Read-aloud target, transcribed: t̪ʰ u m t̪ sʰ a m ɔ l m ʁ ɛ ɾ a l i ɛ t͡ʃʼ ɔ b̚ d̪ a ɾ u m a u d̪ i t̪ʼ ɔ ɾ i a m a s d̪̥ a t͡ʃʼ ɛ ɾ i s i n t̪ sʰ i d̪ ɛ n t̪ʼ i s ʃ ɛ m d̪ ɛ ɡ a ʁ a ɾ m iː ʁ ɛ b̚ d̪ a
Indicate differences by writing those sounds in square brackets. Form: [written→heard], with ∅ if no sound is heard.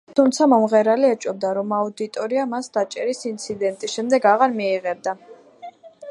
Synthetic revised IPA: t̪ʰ u m t̪ sʰ a m ɔ [l→∅] m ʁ ɛ ɾ a l i ɛ t͡ʃʼ ɔ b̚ d̪ a ɾ [u→ɔ] m a u d̪ i t̪ʼ ɔ ɾ i a m a s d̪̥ a t͡ʃʼ ɛ ɾ i s i n t̪ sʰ i d̪ ɛ n t̪ʼ i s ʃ ɛ m d̪ ɛ ɡ a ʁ a ɾ m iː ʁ ɛ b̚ d̪ a